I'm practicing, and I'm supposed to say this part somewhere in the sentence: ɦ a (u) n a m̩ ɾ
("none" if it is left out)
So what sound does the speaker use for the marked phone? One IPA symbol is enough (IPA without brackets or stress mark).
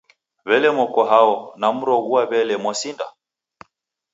ɔ